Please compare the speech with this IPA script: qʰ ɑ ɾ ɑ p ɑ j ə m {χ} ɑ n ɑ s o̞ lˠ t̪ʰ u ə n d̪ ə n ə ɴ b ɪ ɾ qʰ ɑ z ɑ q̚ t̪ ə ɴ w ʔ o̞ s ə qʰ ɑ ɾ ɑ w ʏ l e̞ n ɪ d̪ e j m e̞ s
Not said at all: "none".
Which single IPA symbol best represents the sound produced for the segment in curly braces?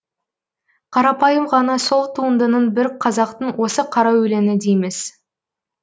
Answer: ʁ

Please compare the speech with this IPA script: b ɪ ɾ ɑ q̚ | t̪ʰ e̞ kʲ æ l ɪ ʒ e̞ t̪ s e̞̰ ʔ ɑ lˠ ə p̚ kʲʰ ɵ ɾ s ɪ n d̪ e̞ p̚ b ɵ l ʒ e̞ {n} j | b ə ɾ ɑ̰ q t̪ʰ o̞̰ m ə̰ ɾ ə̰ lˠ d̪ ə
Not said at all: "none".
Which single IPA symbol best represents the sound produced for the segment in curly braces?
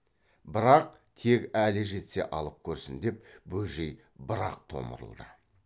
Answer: none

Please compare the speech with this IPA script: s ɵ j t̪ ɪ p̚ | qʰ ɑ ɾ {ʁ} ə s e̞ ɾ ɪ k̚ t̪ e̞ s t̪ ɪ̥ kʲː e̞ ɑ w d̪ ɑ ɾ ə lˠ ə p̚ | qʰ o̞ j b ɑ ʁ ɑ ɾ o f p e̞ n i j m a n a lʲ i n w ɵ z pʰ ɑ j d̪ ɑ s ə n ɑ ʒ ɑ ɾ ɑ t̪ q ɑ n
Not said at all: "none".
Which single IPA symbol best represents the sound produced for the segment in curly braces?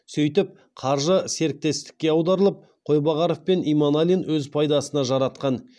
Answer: ʒ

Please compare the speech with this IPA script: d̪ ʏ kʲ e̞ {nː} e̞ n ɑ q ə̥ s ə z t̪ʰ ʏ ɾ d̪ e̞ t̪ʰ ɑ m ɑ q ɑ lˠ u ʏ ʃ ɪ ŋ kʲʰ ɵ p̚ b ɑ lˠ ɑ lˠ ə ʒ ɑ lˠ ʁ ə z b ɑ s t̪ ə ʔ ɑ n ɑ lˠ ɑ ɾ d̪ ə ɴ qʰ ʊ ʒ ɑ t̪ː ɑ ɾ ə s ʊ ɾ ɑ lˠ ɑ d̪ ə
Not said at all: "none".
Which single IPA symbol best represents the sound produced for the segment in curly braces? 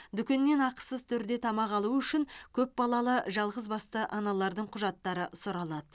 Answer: nː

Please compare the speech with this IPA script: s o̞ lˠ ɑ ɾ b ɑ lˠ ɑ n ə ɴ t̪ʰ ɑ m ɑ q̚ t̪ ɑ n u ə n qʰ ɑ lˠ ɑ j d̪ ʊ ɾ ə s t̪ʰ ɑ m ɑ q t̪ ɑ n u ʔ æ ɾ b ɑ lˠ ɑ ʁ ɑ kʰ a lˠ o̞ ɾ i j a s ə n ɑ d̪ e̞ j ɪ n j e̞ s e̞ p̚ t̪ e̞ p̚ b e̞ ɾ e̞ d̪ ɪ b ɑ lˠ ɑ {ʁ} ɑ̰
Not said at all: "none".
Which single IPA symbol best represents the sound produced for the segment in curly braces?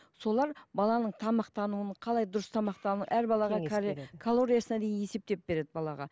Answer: ʁ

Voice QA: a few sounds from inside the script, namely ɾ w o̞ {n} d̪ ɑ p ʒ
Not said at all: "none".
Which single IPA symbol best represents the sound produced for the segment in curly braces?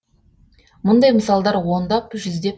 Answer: n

